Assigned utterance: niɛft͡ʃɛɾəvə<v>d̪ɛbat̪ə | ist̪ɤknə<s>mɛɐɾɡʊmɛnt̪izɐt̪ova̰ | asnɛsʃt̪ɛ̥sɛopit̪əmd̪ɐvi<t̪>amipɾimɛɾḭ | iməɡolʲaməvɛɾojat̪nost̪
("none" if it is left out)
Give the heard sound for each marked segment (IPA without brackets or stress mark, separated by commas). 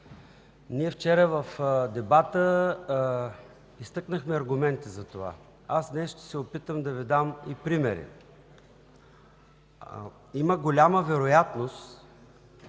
f, x, d̪